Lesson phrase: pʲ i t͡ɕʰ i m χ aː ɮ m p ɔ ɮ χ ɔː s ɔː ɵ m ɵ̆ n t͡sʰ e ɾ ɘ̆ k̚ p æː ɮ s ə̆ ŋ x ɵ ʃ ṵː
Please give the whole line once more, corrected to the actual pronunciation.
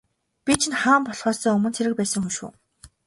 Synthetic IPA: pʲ i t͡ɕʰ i n χ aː m p ɔ ɮ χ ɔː s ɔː ɵ m ɵ̆ n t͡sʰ e ɾ ɘ̆ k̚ p æː s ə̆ ŋ x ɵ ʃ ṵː